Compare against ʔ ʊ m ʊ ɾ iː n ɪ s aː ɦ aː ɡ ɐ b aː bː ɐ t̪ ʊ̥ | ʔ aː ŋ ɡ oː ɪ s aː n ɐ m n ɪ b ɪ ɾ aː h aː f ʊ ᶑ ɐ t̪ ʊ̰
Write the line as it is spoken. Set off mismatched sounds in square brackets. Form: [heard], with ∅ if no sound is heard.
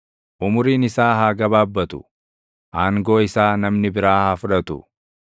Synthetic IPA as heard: ʔ ʊ m ʊ ɾ iː n ɪ s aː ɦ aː ɡ ɐ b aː bː ɐ t̪ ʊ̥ | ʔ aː ŋ ɡ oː ɪ s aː n ɐ m n ɪ b ɪ ɾ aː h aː f ʊ ᶑ ɐ t̪ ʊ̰